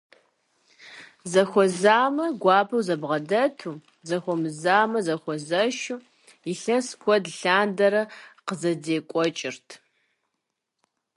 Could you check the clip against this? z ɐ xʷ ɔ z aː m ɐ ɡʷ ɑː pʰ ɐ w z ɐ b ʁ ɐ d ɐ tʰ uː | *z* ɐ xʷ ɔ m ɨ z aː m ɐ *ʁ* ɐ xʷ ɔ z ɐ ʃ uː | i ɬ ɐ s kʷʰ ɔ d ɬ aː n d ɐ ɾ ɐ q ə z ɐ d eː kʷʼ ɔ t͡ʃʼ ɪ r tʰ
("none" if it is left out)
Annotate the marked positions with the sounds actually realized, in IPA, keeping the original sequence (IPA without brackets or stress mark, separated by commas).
z, z